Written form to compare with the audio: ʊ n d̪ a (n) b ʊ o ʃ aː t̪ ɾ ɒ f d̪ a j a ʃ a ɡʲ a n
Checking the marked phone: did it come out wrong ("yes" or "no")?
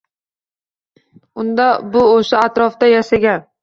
yes